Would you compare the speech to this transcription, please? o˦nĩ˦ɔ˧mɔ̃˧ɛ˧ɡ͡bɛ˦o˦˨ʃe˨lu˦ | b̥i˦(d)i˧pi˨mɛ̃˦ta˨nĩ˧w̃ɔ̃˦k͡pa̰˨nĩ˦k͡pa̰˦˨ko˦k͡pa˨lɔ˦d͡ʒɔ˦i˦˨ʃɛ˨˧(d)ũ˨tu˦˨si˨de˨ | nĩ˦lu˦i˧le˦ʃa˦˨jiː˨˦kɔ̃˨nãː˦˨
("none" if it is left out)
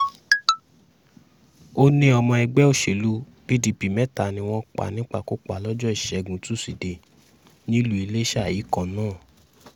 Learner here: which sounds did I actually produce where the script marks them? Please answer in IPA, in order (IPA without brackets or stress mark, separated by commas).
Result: d, ɡ